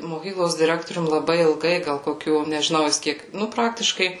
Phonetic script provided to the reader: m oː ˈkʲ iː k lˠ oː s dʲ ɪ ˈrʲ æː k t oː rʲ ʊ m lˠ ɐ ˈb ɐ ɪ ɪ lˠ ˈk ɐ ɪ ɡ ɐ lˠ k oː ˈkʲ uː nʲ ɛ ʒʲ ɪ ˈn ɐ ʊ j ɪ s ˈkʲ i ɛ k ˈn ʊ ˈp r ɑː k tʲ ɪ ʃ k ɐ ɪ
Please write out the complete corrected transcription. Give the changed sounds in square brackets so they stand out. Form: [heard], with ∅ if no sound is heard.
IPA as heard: m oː ˈkʲ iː k lˠ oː s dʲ ɪ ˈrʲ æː k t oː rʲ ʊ m lˠ ɐ ˈb ɐ ɪ ɪ lˠ [ˈɡ] ɐ ɪ ɡ ɐ lˠ k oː ˈkʲ uː nʲ ɛ ʒʲ ɪ ˈn ɐ ʊ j ɪ s ˈkʲ i ɛ k ˈn ʊ ˈp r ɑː k tʲ ɪ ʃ k ɐ ɪ